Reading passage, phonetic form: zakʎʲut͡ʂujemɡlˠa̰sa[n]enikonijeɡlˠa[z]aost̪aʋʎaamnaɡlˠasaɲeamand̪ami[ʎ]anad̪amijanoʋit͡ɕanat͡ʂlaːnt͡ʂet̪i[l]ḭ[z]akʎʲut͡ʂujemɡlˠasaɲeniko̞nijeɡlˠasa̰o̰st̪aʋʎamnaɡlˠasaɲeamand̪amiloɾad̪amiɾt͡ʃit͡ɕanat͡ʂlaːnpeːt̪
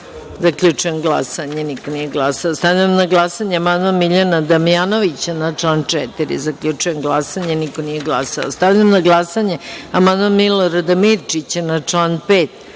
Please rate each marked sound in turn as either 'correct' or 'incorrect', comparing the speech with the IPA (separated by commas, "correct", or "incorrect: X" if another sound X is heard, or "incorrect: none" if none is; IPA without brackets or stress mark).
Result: incorrect: ɲ, incorrect: s, correct, incorrect: ɾ, correct